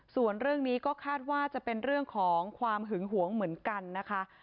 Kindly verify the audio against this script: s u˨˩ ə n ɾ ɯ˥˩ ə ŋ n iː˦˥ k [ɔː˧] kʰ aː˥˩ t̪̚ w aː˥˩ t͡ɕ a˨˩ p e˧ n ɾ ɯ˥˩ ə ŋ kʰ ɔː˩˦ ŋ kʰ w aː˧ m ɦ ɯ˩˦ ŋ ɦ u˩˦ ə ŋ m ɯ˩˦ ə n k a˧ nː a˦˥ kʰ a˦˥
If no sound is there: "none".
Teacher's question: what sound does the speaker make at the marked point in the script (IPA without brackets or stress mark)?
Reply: ɔː˥˩